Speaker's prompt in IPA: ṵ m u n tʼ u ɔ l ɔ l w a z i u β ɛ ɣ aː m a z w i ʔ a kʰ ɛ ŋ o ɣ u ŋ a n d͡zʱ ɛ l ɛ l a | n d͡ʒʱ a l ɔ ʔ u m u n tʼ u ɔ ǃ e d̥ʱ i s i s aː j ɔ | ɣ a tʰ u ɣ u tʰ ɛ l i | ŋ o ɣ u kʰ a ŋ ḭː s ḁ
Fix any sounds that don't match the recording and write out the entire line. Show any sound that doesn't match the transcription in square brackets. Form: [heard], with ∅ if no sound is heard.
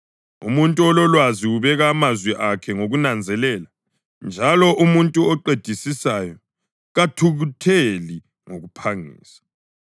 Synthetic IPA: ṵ m u n tʼ u ɔ l ɔ l w a z i u β ɛ ɣ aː m a z w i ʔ a kʰ ɛ ŋ o ɣ u [n] a n d͡zʱ ɛ l ɛ l a | n d͡ʒʱ a l ɔ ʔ u m u n tʼ u ɔ ǃ e d̥ʱ i s i s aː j ɔ | ɣ a tʰ u ɣ u tʰ [e] l i | ŋ o ɣ u [pʰ] a ŋ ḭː s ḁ